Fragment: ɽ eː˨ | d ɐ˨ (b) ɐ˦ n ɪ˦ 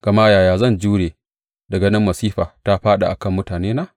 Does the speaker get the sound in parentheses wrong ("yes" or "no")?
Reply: yes